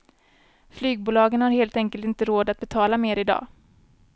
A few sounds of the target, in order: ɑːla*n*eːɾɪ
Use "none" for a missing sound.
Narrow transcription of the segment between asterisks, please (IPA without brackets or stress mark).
m